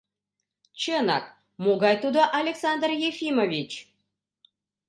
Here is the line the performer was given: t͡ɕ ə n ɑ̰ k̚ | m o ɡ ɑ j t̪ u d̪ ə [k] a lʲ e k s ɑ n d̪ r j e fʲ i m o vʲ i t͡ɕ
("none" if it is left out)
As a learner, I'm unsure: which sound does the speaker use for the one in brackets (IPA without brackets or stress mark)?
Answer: ʔ